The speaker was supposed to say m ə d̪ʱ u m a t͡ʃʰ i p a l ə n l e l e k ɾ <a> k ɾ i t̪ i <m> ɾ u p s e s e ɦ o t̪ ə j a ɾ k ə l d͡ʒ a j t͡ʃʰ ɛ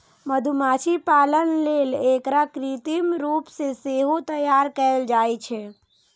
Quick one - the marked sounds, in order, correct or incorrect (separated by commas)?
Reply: correct, correct